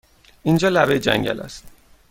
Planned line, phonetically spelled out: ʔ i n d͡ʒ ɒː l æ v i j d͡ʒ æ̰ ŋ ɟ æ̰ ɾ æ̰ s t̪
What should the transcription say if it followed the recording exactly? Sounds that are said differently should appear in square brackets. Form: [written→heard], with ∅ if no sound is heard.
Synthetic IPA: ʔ i n d͡ʒ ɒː l æ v [i→e] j d͡ʒ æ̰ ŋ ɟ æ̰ [ɾ→l] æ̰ s t̪